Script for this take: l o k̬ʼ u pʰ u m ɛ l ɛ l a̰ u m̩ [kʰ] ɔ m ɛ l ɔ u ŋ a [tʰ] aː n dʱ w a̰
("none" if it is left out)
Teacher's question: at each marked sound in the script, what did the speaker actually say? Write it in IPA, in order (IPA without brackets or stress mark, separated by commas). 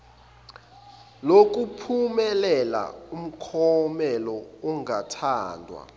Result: kʰ, tʰ